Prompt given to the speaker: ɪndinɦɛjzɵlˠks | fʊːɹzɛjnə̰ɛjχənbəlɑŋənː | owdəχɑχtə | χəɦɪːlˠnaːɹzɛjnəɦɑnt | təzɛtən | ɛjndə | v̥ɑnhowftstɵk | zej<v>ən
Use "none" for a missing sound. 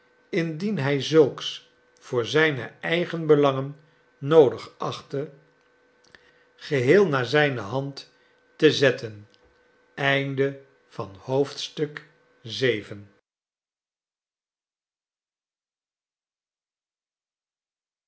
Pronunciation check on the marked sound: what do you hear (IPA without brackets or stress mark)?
v